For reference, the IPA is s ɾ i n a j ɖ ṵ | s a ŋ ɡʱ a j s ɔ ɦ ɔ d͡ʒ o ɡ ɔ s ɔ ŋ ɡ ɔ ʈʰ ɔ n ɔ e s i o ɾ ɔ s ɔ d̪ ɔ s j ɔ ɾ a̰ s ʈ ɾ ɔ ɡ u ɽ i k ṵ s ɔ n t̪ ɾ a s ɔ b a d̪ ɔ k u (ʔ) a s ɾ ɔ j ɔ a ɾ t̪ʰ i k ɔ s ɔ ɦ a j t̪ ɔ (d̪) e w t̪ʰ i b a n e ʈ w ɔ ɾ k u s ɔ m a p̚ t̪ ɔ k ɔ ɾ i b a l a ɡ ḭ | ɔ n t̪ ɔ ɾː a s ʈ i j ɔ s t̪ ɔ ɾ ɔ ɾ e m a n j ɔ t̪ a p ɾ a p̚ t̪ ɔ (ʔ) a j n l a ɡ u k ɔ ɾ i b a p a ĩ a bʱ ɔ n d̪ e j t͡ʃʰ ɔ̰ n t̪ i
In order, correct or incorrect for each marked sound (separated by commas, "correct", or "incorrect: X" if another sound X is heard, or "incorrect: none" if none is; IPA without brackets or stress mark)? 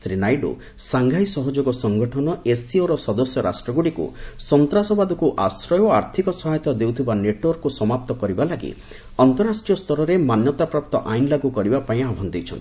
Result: correct, correct, correct